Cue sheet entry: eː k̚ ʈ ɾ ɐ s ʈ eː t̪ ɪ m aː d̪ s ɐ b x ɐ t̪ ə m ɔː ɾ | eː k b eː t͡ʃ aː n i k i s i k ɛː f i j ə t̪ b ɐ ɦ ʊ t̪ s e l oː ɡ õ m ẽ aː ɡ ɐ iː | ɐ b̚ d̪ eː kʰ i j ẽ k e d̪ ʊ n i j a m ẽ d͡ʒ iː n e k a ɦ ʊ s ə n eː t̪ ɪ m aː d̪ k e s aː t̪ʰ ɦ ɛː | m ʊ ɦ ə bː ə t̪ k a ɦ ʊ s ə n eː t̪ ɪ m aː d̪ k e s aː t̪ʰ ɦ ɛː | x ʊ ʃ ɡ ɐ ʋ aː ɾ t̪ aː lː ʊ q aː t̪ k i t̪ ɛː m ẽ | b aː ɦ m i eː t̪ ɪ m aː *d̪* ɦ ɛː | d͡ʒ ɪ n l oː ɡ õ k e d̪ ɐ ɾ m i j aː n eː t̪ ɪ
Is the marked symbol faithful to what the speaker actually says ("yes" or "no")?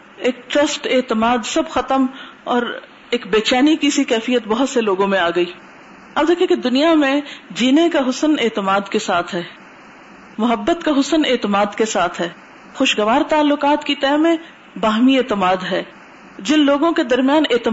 yes